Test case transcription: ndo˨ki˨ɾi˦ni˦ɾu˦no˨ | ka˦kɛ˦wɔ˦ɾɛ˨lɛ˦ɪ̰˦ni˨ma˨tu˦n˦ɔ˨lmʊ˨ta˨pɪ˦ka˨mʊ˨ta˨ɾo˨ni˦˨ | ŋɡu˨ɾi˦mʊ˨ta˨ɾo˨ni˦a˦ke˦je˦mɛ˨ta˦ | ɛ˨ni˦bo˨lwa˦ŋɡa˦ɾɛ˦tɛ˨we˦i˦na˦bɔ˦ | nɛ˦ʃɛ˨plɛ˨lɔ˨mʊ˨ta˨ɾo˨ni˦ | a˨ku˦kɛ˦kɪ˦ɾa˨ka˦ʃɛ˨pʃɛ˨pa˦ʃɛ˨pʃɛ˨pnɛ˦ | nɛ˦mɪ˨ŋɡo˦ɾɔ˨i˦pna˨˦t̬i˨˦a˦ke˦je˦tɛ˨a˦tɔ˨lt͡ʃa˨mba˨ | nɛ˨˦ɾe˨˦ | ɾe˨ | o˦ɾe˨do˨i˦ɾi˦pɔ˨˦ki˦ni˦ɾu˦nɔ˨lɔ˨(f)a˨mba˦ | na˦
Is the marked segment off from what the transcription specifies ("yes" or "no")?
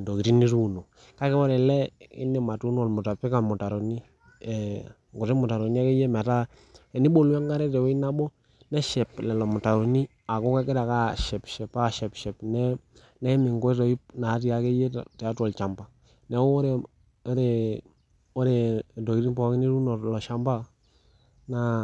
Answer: yes